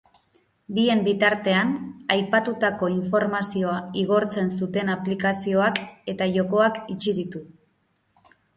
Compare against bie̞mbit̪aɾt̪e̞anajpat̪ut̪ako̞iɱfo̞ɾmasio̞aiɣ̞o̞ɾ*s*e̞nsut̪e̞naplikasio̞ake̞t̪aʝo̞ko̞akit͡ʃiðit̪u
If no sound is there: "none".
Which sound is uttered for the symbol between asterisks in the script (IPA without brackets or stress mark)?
t͡s